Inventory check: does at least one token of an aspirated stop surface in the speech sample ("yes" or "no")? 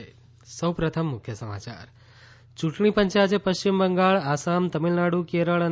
yes